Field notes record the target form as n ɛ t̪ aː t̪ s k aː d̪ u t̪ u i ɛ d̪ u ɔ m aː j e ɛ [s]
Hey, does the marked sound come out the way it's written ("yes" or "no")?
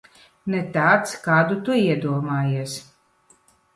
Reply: yes